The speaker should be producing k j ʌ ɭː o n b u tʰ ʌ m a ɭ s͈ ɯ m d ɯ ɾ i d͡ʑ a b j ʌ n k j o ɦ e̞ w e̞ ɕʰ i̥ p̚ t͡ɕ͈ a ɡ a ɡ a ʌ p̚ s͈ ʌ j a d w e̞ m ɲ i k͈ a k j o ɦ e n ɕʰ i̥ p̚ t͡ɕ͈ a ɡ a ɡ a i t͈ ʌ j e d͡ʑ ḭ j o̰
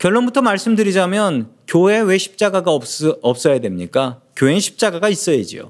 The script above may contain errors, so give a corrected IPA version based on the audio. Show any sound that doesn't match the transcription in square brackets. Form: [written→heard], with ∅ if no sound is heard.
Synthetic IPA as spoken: k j ʌ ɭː o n b u tʰ ʌ m a ɭ s͈ ɯ m d ɯ ɾ i d͡ʑ a [b→m] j ʌ n k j o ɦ e̞ w e̞ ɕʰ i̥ p̚ t͡ɕ͈ a ɡ a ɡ a ʌ p̚ s͈ ʌ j a d w e̞ m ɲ i k͈ a k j o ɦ e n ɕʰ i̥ p̚ t͡ɕ͈ a ɡ a ɡ a i [t͈→s͈] ʌ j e d͡ʑ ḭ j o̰